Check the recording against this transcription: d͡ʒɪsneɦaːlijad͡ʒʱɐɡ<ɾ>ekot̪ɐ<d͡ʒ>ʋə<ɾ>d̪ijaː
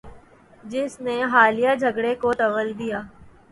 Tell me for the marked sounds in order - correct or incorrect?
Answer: incorrect: ɽ, incorrect: none, incorrect: l

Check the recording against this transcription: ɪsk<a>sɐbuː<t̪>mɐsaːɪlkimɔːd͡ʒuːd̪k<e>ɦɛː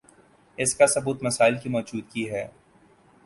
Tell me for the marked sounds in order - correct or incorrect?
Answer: correct, correct, incorrect: i

